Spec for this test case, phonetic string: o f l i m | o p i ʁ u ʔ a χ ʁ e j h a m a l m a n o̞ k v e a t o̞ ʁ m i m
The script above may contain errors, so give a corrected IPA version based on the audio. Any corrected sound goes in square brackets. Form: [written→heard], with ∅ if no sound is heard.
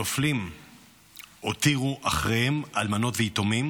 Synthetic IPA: o f l i m | o [p→t] i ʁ u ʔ a χ ʁ e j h [a→e] m a l m a n o̞ [k→t] v e [a→i] t o̞ [ʁ→∅] m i m

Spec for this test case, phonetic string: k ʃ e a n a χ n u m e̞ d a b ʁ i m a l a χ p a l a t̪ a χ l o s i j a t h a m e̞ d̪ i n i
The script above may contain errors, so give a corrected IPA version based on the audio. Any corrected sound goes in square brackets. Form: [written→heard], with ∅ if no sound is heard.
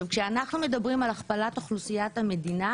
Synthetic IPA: k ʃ e a n a χ n u m e̞ d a b ʁ i m a l a χ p a l a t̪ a χ l [o→u] s i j a t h a m e̞ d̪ i n [i→a]

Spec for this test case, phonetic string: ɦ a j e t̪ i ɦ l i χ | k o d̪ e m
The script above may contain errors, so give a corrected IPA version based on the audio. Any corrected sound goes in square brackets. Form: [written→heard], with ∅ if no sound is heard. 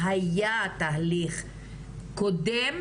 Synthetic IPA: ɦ a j [e→a] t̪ [i→a] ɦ l i χ | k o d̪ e m

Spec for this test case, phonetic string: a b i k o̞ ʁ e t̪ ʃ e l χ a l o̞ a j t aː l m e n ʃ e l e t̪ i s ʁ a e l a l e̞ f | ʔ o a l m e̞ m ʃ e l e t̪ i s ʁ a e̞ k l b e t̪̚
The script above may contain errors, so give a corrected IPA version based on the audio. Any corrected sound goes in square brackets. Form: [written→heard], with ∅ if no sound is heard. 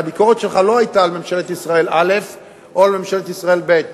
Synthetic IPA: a b i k o̞ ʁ e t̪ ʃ e l χ a l o̞ a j t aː l m e [n→m] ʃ e l e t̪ i s ʁ a e l a l e̞ f | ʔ o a l m e̞ m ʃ e l e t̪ i s ʁ a e̞ [k→∅] l b e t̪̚

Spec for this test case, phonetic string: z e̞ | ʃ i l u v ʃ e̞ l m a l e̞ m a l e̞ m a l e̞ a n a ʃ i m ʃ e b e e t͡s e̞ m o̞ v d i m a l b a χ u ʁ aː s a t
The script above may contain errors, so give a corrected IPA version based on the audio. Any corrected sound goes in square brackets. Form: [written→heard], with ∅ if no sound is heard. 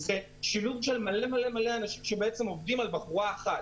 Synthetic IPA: z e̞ | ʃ i l u v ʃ e̞ l m a l e̞ m a l e̞ m a l e̞ a n a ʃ i m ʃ e b e e t͡s e̞ m o̞ v d i m a l b a χ u ʁ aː [s→χ] a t

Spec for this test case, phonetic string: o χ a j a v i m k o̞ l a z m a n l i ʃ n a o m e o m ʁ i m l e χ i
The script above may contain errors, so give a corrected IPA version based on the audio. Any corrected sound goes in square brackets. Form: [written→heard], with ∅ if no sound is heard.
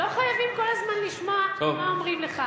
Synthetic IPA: o χ a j a v i m k o̞ l a z m a n l i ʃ [n→m] a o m [e→a] o m ʁ i m l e χ [i→a]

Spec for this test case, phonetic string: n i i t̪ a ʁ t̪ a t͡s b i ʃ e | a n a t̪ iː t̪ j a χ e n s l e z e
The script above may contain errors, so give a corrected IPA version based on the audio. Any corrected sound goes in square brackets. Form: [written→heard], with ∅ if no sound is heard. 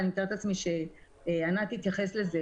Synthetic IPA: n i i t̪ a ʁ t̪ a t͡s [b→m] i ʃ e | a n a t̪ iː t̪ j a χ e [n→∅] s l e z e

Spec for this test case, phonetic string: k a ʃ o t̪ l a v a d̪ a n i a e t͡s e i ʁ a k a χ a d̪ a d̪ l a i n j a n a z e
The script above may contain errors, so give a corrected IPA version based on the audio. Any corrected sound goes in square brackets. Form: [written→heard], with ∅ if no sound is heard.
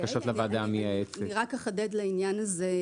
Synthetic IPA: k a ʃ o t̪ l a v a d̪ a [n→m] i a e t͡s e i ʁ a k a χ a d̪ [a→e] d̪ l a i n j a n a z e

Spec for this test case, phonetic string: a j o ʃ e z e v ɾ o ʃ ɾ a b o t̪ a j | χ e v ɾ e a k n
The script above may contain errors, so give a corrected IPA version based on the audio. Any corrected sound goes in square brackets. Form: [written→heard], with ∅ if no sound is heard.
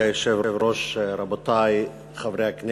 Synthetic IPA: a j o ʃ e [z→v] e v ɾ o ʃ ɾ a b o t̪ a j | χ [e→a] v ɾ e a k n

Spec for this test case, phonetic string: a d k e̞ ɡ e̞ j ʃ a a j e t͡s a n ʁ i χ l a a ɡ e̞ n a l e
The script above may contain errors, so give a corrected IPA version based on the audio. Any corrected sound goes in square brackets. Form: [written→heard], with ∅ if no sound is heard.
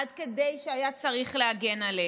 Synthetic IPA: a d k e̞ [ɡ→d] e̞ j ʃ [a→e] a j [e→a] t͡s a [n→∅] ʁ i χ l [a→e] a ɡ e̞ n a l e

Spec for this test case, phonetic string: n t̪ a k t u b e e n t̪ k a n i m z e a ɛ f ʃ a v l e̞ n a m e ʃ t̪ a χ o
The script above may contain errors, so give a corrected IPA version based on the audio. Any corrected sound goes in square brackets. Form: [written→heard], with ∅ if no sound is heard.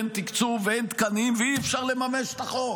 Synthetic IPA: n t̪ [a→i] k [t→t͡s] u [b→v] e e n t̪ k a n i m [z→v] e [a→i] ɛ f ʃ a [v→ʁ] l e̞ [n→m] a m e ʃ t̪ a χ o

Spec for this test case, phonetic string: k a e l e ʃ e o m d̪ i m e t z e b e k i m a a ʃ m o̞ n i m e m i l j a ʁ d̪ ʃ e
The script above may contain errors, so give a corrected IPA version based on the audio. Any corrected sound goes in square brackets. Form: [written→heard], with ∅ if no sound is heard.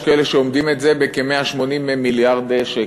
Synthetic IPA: k a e l e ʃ e o m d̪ i m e t z e b e k [i→e] m [a→e] a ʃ m o̞ n i m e m i l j a ʁ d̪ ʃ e

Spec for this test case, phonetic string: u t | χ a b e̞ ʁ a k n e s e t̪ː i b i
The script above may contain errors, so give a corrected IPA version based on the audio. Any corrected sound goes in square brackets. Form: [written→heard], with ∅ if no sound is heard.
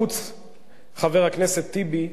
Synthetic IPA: u [t→t͡s] | χ a [b→v] e̞ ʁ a k n e s e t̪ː i b i

